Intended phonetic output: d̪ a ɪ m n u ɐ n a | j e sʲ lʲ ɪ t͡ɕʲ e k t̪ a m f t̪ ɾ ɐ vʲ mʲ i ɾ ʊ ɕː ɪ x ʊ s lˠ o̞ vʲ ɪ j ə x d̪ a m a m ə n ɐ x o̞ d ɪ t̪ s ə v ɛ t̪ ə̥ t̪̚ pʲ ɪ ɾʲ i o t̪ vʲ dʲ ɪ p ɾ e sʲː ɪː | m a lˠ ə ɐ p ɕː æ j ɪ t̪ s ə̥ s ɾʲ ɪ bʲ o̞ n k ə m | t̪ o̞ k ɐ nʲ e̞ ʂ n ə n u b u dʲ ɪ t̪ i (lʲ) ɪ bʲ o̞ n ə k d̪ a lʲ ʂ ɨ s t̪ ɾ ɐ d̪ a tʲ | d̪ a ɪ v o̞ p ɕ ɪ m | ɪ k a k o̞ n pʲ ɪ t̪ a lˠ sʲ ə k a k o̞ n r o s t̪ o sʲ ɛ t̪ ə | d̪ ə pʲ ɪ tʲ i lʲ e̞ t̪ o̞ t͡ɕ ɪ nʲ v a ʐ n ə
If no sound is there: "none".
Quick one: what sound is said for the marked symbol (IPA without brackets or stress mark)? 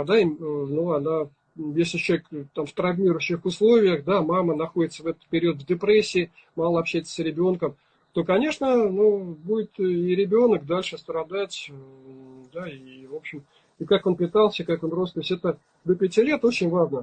ɾʲ